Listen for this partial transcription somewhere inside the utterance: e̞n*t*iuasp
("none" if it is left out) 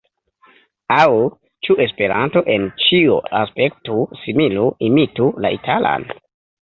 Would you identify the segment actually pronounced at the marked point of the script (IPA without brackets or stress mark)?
t͡ʃ